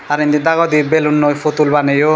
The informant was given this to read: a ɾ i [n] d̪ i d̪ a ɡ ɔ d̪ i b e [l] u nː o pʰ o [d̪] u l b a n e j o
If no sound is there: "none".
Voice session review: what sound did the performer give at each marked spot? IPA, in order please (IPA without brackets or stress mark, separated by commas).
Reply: n, l, t̪